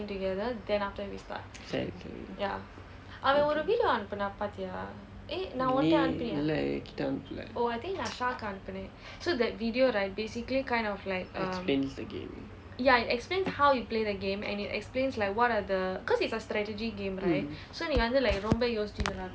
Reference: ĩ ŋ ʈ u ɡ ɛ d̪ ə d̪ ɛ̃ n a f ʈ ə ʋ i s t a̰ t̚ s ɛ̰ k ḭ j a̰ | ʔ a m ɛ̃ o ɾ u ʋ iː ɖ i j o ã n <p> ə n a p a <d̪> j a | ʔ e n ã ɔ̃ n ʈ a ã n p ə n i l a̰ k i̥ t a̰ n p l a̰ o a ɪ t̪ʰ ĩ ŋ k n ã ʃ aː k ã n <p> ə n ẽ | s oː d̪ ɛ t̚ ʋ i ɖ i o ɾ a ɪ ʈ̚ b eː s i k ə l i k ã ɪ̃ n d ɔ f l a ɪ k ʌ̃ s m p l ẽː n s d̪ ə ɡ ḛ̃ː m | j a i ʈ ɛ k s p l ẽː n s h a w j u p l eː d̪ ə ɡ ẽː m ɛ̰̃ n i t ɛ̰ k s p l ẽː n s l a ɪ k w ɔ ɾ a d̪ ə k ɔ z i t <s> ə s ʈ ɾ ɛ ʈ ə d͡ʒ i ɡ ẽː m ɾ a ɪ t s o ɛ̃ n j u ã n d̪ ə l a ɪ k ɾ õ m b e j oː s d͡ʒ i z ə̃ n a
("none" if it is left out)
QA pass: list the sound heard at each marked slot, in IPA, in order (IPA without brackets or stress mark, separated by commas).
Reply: p, t̪, p, s